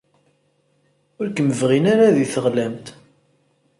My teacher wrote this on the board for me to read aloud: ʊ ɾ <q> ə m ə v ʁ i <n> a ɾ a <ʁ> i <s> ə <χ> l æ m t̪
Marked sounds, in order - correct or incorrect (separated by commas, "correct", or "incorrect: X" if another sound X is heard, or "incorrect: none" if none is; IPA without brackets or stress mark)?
incorrect: k, correct, incorrect: ð, incorrect: θ, incorrect: ʁ